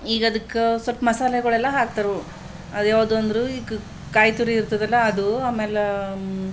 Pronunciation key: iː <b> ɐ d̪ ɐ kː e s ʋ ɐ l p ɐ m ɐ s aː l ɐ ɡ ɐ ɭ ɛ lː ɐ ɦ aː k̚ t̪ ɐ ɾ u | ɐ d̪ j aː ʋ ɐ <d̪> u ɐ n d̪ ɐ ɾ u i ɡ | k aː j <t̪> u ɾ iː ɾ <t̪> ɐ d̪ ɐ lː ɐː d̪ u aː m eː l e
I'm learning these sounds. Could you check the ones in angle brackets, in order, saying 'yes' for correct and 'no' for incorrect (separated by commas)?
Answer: no, yes, yes, yes